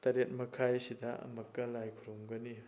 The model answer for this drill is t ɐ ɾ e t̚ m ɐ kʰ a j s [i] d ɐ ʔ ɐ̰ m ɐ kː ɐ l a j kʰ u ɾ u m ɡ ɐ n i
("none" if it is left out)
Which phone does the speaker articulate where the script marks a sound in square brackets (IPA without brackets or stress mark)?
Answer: i